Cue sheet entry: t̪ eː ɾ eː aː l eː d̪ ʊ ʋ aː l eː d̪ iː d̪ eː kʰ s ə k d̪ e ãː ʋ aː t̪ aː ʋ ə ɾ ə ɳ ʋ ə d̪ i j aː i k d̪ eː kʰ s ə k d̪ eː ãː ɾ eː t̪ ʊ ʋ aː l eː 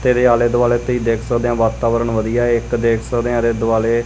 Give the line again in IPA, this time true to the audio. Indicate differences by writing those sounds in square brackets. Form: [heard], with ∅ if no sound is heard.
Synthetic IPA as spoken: t̪ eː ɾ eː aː l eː d̪ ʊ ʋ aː l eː [t̪] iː d̪ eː kʰ s ə k d̪ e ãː ʋ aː t̪ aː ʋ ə ɾ ə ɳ ʋ ə d̪ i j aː [ɪ] k d̪ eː kʰ s ə k d̪ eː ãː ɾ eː [d̪] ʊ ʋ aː l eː